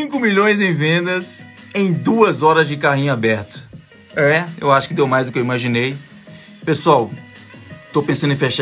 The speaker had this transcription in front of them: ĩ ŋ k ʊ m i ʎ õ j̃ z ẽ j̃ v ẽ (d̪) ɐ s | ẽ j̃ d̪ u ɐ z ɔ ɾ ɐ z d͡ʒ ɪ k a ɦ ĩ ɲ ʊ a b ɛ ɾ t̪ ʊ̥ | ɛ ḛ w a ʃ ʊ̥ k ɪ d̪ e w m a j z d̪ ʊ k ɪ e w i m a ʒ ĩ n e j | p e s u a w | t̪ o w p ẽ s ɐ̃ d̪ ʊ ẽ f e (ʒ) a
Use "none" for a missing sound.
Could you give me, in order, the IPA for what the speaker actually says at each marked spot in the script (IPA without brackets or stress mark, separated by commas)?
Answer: d̪, ʃ